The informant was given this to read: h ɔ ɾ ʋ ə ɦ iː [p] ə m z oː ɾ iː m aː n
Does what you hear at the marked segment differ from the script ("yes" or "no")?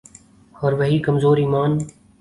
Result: yes